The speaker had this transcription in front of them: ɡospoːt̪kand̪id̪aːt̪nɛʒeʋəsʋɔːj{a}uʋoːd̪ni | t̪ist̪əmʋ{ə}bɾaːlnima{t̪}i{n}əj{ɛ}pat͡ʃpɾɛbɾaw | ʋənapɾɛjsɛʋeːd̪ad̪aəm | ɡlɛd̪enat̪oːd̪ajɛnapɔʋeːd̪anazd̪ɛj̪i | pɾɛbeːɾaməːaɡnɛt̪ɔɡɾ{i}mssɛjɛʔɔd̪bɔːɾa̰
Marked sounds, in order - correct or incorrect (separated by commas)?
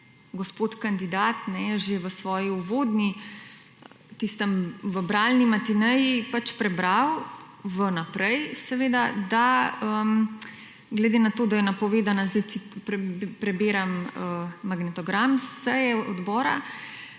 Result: incorrect, correct, correct, correct, incorrect, incorrect